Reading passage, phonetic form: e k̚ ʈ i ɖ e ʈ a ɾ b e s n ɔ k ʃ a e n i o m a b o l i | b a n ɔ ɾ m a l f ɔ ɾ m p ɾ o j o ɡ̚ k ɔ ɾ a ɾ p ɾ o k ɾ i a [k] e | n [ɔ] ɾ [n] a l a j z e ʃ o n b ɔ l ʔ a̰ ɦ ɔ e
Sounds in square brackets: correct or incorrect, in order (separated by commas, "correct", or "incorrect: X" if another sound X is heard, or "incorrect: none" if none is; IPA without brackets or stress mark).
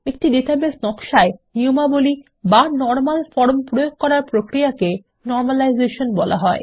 correct, correct, incorrect: m